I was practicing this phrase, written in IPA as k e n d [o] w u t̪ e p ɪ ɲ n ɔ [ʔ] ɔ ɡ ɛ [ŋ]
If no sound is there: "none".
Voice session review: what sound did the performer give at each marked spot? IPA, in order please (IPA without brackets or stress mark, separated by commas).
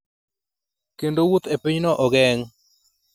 o, ʔ, ŋ